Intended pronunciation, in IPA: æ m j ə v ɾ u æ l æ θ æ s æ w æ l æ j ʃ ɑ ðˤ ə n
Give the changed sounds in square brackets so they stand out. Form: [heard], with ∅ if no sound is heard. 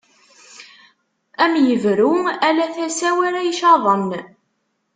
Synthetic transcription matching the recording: æ m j ə v ɾ u æ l æ θ æ s æ w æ [ɾ] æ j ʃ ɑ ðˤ ə n